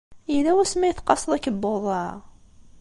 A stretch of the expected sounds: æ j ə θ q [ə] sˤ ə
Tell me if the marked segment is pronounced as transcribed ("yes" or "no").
no